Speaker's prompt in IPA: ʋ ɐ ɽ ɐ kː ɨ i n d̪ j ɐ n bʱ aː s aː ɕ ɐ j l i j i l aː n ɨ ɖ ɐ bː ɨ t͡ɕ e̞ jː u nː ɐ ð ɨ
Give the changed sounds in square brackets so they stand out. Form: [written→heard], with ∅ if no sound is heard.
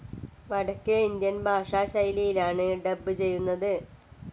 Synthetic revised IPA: ʋ ɐ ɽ ɐ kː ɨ i n d̪ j ɐ n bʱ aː [s→ʂ] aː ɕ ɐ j l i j i l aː [n→ɳ] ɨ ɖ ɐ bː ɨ t͡ɕ e̞ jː u nː ɐ ð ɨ